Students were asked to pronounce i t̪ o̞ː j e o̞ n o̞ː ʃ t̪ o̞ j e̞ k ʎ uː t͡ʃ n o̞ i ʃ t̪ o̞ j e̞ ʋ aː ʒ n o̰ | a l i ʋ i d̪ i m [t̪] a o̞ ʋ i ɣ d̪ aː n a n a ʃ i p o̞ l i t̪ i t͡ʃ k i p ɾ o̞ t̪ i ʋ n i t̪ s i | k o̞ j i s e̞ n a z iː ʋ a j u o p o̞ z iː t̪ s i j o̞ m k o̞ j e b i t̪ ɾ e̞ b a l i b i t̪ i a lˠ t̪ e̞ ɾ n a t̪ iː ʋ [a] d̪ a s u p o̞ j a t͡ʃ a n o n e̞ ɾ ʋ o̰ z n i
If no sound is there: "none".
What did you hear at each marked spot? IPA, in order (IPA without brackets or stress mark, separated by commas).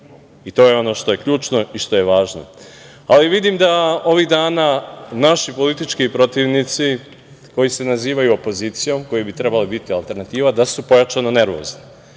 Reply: d̪, a